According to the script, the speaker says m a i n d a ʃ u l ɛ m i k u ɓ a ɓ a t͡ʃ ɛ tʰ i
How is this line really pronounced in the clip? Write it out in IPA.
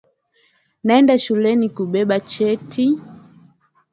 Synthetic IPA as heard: n a ɛ n d a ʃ u l ɛ n i k u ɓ ɛ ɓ a t͡ʃ ɛ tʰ i